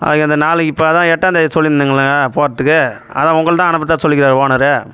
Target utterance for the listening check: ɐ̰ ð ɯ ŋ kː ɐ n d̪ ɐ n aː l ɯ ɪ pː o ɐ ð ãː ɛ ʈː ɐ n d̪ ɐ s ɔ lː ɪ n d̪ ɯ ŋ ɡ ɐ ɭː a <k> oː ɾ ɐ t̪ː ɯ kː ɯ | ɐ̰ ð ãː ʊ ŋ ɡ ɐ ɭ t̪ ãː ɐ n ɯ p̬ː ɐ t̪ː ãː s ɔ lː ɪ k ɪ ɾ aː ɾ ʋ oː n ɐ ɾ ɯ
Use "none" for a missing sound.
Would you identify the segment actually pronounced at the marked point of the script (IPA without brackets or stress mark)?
p